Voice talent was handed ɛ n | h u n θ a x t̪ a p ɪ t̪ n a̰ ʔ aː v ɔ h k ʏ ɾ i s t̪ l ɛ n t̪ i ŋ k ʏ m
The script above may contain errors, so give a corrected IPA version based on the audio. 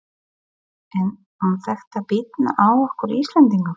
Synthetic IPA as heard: ɛ n | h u n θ ɛ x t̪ a p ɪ t̪ n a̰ ʔ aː w ɔ h k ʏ ɾ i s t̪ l ɛ n t̪ i ŋ k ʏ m